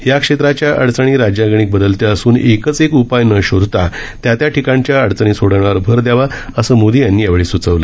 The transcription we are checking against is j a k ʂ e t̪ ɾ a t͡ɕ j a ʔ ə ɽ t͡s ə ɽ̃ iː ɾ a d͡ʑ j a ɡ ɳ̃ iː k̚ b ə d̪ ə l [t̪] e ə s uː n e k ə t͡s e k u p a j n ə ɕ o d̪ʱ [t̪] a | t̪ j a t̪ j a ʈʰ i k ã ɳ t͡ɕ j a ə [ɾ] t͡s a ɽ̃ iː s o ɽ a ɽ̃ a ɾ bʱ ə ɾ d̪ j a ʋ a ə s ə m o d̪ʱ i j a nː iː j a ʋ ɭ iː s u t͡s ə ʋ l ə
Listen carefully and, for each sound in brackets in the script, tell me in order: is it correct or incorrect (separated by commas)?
correct, correct, incorrect